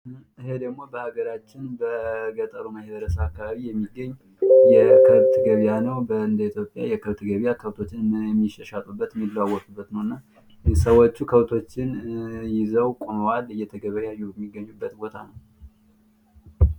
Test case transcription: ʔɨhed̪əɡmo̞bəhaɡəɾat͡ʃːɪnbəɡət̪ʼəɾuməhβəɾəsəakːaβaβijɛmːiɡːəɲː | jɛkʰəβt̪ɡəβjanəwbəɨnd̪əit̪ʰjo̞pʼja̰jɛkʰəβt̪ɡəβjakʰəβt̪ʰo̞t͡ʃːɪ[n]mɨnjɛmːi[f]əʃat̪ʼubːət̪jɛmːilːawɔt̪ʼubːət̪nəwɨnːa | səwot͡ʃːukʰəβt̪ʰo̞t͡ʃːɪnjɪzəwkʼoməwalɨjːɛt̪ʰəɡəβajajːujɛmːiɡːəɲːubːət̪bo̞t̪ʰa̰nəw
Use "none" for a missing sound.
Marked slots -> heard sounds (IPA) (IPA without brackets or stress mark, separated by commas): n, ʃ